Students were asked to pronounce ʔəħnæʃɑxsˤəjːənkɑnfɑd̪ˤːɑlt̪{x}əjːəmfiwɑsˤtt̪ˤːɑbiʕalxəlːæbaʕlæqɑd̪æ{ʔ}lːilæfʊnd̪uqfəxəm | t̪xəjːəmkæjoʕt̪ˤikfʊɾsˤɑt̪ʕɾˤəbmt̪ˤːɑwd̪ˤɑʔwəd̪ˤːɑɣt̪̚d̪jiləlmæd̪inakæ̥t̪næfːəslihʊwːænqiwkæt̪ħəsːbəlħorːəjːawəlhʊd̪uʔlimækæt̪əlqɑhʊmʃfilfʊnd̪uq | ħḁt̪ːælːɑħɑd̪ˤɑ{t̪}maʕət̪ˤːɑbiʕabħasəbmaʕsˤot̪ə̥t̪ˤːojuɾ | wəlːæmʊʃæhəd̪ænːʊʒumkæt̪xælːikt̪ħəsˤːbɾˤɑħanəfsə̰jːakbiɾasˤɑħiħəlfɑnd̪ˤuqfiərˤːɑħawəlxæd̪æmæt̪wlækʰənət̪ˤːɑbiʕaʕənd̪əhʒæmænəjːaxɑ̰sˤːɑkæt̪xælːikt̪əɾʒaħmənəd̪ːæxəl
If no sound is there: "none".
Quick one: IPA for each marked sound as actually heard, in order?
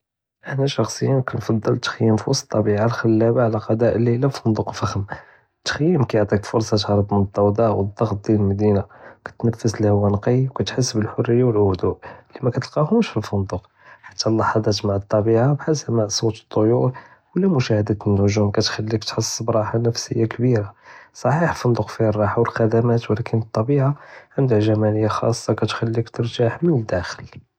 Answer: x, ʔ, t̪

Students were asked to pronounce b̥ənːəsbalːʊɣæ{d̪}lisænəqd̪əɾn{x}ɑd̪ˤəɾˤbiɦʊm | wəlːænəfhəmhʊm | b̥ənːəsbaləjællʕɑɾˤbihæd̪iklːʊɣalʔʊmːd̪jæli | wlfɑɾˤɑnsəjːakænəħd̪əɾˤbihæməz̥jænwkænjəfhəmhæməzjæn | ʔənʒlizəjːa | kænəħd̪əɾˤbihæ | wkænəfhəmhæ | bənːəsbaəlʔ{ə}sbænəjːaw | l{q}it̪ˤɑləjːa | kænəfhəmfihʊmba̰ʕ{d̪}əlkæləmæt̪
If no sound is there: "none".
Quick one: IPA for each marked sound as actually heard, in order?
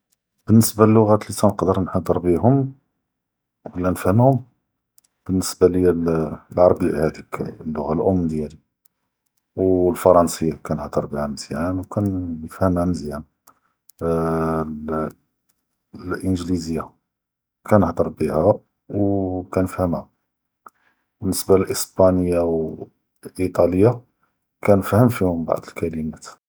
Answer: t̪, ħ, ə, ʔ, d̪

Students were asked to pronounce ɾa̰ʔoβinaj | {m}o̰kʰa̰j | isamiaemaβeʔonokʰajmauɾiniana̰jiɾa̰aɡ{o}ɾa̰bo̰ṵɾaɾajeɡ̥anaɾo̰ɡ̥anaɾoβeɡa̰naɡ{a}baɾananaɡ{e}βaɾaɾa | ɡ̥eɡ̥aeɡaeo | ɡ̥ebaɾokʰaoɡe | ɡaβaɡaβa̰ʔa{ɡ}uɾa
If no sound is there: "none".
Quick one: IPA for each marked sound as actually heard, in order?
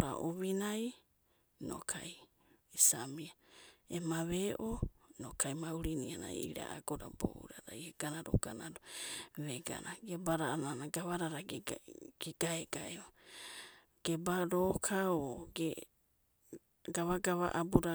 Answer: n, o, e, a, b

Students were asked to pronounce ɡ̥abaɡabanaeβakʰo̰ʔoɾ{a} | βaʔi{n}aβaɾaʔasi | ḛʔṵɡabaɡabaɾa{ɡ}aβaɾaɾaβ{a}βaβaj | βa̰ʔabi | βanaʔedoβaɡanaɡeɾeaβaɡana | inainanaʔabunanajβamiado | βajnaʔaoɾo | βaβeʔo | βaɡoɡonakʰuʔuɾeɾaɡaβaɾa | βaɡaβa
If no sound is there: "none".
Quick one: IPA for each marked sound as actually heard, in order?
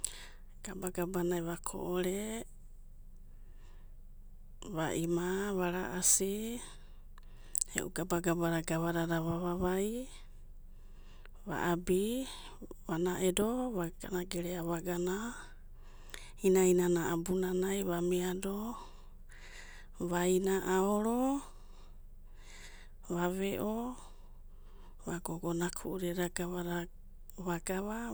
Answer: e, m, ɡ, a

